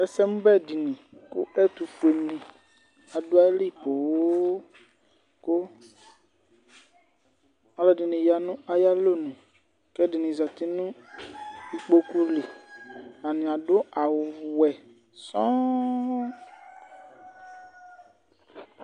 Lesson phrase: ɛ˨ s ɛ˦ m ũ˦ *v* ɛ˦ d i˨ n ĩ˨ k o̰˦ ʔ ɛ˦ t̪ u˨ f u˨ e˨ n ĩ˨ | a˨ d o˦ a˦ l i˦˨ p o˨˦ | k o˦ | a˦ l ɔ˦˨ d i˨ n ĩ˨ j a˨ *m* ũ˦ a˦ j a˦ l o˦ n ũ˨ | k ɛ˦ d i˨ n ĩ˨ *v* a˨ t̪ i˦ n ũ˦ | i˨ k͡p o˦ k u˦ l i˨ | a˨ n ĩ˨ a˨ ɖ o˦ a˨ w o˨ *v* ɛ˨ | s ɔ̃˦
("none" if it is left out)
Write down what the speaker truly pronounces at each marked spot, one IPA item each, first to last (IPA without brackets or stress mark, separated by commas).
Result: b, n, z, w